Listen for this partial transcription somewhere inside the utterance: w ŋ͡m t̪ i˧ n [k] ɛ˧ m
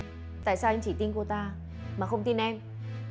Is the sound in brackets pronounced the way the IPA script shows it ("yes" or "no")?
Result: no